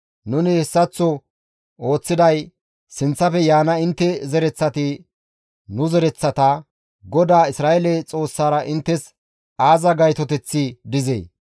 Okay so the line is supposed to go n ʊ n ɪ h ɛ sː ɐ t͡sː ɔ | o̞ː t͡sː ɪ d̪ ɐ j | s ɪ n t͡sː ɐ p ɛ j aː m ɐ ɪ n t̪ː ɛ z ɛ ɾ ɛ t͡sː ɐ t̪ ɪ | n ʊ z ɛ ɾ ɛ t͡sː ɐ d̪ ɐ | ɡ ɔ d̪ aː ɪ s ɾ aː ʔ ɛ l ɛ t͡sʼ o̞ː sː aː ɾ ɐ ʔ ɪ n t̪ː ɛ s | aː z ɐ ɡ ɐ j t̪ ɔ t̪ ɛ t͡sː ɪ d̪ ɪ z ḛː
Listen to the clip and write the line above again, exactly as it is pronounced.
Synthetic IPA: n ʊ n ɪ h ɛ sː ɐ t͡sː ɔ | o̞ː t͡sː ɪ d̪ ɐ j | s ɪ n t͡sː ɐ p ɛ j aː n ɐ ɪ n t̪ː ɛ z ɛ ɾ ɛ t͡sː ɐ t̪ ɪ | n ʊ z ɛ ɾ ɛ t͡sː ɐ t̪ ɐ | ɡ ɔ d̪ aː ɪ s ɾ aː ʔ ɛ l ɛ t͡sʼ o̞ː sː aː ɾ ɐ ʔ ɪ n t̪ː ɛ s | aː z ɐ ɡ ɐ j t̪ ɔ t̪ ɛ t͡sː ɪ d̪ ɪ z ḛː